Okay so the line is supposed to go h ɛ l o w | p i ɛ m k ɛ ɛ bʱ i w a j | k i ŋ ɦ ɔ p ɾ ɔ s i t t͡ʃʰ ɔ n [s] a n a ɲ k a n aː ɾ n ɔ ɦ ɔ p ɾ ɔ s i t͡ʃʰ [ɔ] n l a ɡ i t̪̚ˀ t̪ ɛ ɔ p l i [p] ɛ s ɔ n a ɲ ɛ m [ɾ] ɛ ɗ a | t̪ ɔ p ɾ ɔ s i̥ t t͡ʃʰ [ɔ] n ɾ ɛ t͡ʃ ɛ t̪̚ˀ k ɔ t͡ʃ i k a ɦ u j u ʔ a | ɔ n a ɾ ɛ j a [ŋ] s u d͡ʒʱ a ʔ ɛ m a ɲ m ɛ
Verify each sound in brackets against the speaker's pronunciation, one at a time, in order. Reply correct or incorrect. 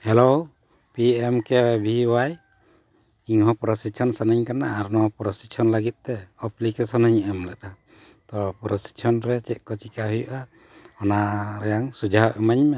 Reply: correct, correct, incorrect, incorrect, correct, correct

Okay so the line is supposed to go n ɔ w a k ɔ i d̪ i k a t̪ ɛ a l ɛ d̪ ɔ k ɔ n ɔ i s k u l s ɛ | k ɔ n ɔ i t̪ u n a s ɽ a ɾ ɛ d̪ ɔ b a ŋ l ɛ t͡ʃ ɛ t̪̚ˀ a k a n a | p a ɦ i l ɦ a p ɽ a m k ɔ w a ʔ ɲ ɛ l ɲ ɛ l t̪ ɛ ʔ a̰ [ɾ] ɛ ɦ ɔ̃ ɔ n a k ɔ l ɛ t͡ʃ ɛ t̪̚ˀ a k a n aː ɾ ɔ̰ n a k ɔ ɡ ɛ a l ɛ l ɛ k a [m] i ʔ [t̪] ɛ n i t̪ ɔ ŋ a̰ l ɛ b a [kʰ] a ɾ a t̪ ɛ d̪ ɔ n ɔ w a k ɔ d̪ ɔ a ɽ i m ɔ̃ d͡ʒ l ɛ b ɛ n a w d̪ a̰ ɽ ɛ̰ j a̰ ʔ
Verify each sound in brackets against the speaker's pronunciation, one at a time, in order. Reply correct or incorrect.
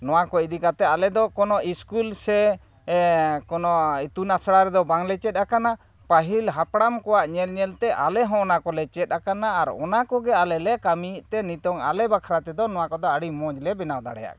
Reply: incorrect, correct, correct, correct

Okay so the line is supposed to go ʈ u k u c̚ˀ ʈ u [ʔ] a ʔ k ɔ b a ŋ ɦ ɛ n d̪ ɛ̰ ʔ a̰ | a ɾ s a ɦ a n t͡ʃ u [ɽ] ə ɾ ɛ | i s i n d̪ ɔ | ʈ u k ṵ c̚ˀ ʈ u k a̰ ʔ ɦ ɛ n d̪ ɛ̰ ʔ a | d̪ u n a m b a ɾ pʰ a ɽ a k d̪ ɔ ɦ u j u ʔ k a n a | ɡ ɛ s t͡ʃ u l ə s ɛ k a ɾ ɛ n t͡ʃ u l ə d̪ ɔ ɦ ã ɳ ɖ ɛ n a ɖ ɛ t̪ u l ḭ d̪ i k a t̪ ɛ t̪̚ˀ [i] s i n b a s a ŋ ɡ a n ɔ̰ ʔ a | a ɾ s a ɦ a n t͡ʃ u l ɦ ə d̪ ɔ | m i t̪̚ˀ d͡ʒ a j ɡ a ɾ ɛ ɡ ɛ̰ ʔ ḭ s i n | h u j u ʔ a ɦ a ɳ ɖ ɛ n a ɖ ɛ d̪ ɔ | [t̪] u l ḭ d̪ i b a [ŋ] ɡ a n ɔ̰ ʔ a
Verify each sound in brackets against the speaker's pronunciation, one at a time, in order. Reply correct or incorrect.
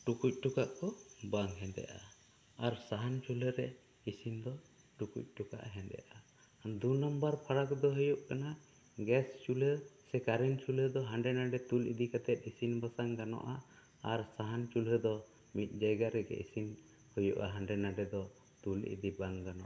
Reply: incorrect, incorrect, correct, correct, correct

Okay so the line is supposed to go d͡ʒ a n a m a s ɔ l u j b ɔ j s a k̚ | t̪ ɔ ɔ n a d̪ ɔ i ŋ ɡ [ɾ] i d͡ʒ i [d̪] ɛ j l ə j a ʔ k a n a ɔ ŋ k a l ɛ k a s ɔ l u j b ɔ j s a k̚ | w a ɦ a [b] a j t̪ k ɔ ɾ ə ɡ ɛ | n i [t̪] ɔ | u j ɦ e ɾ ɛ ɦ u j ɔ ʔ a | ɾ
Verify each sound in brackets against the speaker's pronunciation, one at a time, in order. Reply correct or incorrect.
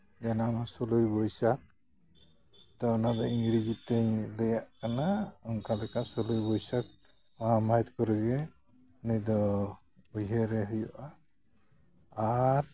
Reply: correct, incorrect, incorrect, incorrect

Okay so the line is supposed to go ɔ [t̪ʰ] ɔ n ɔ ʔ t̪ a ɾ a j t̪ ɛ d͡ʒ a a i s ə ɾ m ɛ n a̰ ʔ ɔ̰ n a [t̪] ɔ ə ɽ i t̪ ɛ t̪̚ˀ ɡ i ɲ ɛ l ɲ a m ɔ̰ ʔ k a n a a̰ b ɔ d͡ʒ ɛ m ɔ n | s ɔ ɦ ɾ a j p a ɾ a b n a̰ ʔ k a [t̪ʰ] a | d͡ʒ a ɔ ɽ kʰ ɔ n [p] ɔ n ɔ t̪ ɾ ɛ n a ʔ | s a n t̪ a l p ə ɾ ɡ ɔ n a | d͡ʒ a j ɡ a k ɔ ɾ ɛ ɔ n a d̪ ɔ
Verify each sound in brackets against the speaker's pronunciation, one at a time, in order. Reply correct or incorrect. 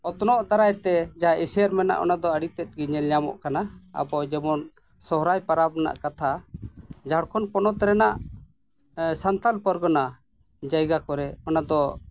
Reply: incorrect, incorrect, correct, correct

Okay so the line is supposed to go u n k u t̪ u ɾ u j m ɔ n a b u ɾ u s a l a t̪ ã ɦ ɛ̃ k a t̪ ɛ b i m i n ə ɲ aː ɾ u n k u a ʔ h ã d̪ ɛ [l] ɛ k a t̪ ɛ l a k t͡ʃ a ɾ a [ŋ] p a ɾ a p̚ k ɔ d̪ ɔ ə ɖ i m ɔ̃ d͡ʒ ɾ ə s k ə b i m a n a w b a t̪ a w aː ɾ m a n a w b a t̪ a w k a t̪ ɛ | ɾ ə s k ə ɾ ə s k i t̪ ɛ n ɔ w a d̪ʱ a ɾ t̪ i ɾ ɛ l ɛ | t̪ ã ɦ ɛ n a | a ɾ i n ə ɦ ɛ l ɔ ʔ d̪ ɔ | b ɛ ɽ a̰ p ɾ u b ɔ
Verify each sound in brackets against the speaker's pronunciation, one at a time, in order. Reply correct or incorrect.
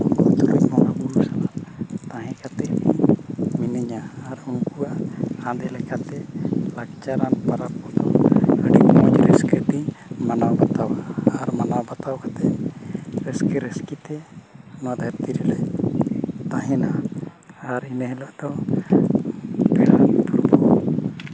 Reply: correct, incorrect

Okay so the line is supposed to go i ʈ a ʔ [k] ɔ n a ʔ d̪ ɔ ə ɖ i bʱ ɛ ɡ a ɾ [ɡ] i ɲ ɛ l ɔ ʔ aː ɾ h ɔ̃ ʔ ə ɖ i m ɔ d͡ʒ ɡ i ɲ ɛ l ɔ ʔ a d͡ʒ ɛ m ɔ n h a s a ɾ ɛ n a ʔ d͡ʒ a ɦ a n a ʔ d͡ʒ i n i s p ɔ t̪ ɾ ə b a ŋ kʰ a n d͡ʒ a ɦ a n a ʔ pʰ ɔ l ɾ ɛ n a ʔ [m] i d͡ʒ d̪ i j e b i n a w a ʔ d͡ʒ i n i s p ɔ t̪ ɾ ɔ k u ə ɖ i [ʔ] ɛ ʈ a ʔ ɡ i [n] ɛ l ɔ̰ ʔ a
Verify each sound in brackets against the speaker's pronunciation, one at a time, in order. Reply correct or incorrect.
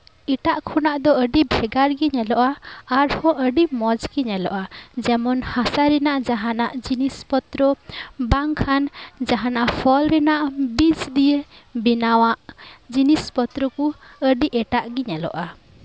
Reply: incorrect, correct, incorrect, correct, incorrect

